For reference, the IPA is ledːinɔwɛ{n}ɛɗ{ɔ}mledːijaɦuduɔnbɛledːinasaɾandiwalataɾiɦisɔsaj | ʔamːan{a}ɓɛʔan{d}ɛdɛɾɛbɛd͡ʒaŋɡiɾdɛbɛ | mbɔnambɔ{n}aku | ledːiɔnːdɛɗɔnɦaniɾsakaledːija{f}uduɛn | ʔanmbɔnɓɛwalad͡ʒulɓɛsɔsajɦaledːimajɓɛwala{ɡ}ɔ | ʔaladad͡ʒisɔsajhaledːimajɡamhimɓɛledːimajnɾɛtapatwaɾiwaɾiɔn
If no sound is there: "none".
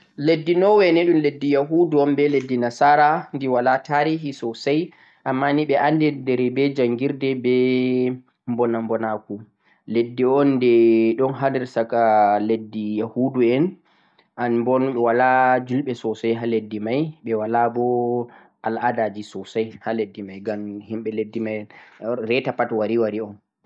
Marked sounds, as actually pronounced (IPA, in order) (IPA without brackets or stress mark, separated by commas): n, u, i, d, n, h, b